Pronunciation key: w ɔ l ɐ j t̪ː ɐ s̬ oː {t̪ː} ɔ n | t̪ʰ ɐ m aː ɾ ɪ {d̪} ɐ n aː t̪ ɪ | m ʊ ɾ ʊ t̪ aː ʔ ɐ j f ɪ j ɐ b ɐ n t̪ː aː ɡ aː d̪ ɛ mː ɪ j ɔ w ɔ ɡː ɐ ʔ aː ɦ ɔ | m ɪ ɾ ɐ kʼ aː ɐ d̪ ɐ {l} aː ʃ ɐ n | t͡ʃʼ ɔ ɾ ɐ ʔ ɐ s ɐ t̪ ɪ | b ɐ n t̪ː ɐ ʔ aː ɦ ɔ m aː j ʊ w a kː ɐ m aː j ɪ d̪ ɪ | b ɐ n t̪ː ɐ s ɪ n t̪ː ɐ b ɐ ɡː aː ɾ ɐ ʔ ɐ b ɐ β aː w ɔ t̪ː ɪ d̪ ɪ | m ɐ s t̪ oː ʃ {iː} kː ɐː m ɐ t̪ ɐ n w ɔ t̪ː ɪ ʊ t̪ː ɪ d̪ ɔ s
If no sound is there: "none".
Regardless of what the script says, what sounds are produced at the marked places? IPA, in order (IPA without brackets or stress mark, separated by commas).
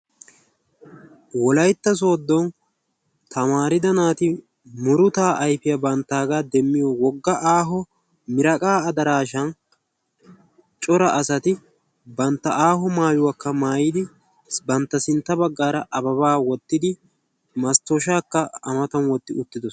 d̪ː, d̪, ɾ, aː